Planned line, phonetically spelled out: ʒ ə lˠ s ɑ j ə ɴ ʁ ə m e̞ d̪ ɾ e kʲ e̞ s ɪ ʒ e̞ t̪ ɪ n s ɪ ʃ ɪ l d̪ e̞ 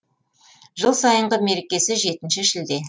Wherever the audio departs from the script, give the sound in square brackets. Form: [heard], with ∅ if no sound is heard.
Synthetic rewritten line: ʒ ə lˠ s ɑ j ə ɴ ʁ ə m e̞ [∅] ɾ e kʲ e̞ s ɪ ʒ e̞ t̪ ɪ n [ʃ] ɪ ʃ ɪ l d̪ e̞